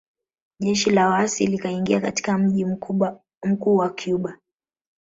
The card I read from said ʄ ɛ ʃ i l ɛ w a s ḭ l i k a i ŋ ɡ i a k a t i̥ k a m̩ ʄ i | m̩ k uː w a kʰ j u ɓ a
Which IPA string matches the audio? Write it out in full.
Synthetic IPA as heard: ʄ ɛ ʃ i l a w a s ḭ l i k a i ŋ ɡ i a k a t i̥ k a m̩ ʄ i | m̩ k uː w a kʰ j u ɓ a